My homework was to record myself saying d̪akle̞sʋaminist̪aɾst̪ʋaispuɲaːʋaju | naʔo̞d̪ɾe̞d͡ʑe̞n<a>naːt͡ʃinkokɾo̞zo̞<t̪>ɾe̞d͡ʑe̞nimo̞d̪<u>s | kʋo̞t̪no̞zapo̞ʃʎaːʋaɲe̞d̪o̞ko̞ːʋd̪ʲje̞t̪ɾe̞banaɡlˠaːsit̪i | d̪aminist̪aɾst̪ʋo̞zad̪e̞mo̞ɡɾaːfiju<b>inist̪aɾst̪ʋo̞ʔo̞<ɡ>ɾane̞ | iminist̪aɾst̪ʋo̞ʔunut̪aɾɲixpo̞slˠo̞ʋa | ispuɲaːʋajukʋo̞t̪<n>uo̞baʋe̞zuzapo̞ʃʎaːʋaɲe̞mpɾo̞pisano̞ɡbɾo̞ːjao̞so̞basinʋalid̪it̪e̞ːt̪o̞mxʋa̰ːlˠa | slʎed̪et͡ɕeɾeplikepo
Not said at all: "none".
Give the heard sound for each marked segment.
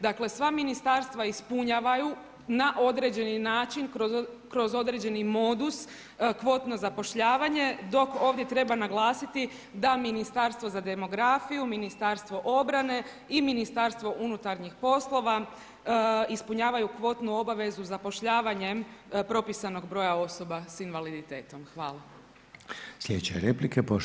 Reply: i, d̪, u, m, b, n

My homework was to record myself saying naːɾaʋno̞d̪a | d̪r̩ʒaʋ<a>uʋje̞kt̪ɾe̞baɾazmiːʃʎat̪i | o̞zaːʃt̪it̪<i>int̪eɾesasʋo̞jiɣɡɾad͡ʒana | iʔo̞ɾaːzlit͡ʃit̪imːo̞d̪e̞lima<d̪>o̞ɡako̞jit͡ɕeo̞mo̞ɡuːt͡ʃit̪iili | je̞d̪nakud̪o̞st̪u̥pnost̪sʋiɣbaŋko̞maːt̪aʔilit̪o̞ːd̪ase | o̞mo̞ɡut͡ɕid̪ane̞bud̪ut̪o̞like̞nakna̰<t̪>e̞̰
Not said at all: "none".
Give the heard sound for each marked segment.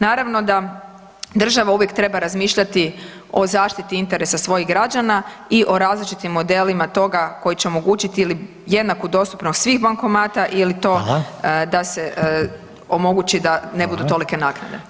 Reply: a, i, t̪, d̪

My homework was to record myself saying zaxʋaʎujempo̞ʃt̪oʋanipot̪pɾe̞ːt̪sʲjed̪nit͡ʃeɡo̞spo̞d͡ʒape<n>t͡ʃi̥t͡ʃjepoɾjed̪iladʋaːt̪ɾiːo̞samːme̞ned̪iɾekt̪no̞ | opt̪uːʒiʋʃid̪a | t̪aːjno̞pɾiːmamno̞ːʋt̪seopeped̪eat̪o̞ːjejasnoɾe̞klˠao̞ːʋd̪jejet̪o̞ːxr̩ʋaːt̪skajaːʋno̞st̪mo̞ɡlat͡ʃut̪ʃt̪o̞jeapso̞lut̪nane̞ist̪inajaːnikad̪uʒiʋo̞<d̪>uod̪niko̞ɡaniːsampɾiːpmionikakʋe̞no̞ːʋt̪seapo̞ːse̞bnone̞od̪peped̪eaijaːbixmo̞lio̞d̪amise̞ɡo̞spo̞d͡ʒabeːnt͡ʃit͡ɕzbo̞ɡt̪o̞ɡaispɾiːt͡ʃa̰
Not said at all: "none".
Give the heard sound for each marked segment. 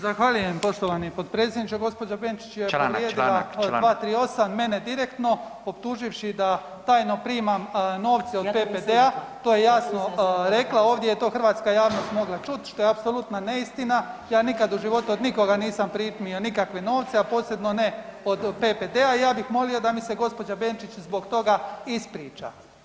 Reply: n, t̪

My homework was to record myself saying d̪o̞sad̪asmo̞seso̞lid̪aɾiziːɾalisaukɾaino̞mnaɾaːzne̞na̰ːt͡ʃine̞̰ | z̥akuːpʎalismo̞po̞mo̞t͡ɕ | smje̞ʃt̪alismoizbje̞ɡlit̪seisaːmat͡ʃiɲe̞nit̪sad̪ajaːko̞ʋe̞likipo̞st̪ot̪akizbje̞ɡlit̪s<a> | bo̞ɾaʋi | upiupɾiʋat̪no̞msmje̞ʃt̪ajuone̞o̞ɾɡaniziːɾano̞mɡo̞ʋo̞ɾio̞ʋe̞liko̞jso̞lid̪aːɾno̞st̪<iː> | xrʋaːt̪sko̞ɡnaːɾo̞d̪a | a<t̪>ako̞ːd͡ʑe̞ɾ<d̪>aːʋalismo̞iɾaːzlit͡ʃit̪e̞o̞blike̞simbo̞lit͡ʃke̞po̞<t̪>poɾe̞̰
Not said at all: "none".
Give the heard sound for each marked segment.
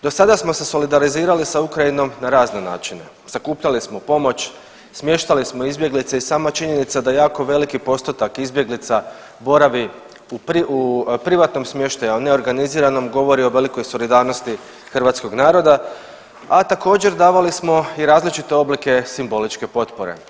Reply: a, i, t̪, d̪, t̪

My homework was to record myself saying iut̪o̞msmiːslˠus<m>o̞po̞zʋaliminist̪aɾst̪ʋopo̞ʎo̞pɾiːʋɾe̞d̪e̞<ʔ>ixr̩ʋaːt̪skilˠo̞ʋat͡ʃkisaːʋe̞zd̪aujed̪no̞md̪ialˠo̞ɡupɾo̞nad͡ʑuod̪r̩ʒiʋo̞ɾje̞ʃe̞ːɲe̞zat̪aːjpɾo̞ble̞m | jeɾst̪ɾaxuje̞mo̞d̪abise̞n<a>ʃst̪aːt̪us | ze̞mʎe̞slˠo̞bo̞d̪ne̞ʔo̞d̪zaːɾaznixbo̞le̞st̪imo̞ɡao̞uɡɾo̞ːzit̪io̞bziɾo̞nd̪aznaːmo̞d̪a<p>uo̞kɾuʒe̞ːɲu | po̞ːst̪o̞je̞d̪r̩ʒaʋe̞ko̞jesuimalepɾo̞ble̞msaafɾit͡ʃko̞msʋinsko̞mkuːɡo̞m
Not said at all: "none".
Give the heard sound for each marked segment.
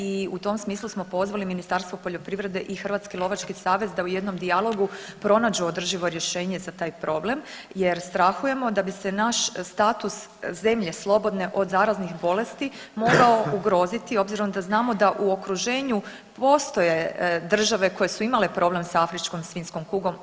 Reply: m, ʔ, a, ʔ

